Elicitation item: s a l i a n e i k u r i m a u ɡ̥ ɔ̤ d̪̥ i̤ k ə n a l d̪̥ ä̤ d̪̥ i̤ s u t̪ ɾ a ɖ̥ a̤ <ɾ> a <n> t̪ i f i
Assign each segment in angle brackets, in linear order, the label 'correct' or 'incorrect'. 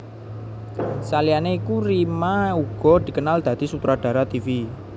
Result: correct, incorrect: none

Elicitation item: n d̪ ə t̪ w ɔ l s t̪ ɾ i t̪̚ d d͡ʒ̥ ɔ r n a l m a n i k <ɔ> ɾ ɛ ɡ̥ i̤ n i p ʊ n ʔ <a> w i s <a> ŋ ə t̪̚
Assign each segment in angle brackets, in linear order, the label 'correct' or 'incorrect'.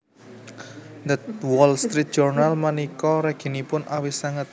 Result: correct, correct, correct

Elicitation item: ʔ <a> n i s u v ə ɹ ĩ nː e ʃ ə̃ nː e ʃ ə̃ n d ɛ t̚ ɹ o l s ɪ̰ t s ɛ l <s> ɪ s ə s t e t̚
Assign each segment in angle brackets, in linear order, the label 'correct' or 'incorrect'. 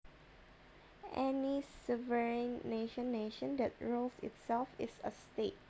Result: incorrect: ɛ, incorrect: f

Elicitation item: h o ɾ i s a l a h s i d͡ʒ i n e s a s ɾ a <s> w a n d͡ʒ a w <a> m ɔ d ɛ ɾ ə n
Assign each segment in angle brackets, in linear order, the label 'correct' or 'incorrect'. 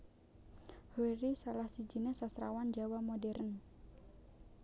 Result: incorrect: none, correct

